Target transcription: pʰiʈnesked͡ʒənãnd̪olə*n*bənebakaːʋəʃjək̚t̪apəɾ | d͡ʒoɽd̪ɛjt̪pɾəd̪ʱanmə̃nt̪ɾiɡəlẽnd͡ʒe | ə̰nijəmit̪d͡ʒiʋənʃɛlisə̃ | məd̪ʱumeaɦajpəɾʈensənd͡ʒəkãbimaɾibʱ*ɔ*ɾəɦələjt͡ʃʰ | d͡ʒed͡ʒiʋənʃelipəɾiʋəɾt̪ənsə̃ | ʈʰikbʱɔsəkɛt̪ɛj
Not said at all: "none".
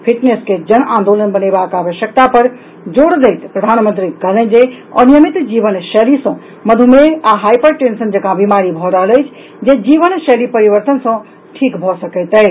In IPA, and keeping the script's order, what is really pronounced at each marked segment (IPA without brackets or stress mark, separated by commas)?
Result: n, ɔ